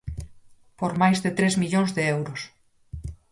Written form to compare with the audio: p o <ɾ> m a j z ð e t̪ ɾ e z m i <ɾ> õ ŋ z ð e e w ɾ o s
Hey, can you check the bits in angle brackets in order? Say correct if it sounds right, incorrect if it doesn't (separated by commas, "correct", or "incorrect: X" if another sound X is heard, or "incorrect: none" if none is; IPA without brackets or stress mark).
correct, incorrect: ʎ